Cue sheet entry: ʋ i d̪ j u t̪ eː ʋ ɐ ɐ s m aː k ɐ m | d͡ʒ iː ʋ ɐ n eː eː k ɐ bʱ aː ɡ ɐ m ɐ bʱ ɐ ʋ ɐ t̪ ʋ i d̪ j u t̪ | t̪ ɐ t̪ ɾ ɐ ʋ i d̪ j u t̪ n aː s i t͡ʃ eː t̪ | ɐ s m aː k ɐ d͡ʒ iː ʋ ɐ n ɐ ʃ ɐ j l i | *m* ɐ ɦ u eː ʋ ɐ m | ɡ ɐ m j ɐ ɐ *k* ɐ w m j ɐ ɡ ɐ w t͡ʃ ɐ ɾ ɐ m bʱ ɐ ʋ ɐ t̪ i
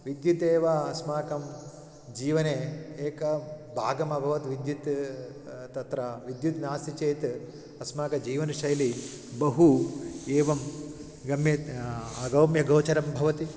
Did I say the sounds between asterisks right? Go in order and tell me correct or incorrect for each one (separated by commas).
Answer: incorrect, incorrect